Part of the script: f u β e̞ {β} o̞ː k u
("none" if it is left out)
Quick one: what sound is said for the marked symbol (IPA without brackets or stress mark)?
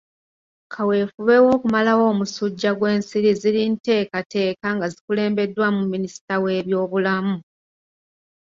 w